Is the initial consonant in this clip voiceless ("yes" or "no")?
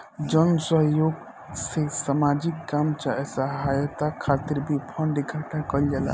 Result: no